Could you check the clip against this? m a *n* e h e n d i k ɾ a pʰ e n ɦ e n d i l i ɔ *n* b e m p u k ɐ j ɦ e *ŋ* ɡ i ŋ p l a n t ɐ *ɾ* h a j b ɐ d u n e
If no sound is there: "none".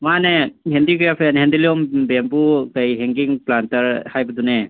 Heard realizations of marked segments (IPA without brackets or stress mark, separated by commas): n, m, ŋ, ɾ